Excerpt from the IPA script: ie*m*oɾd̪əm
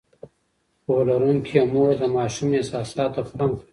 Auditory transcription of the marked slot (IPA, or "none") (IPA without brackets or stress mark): m